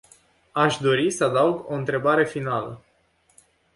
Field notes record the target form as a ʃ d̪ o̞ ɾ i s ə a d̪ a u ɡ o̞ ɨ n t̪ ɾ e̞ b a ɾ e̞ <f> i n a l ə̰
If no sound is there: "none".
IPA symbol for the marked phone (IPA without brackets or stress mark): f